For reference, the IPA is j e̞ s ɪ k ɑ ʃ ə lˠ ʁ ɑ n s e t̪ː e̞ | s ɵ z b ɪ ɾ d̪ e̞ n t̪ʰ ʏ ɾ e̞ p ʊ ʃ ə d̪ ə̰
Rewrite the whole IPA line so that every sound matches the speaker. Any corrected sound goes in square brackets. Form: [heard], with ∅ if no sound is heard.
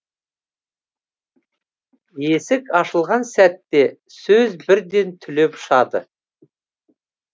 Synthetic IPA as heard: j e̞ s ɪ k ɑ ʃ ə lˠ ʁ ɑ n s [æ] t̪ː e̞ | s ɵ z b ɪ ɾ d̪ e̞ n t̪ʰ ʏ [l] e̞ p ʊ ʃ [ɑ] d̪ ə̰